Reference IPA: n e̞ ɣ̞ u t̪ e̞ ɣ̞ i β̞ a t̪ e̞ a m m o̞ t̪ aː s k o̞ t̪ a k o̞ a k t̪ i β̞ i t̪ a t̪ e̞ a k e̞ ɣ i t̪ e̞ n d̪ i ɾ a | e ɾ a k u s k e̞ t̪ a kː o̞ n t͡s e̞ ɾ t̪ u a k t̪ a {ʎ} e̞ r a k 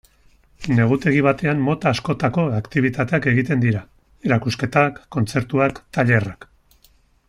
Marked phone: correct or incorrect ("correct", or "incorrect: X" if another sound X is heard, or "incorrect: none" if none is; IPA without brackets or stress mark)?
correct